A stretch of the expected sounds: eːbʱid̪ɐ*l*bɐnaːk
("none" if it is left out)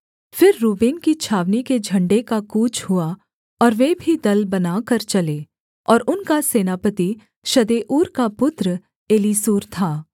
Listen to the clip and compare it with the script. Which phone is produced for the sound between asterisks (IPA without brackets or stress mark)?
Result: l